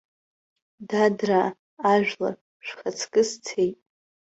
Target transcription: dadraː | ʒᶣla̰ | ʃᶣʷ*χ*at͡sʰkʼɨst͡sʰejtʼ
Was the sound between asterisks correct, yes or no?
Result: yes